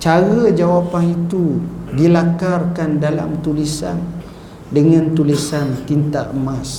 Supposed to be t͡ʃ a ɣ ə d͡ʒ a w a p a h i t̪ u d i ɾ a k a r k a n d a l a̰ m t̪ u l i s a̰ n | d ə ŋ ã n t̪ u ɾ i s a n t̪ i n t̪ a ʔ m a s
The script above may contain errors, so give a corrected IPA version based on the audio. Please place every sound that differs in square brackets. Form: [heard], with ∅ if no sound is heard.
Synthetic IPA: t͡ʃ a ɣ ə d͡ʒ a w a p a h i t̪ u d i [l] a k a r k a n d a l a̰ m t̪ u l i s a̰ n | d ə ŋ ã n t̪ u [l] i s a n t̪ i n t̪ a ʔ m a s